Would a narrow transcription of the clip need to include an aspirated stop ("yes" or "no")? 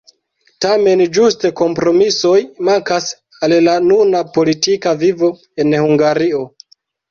no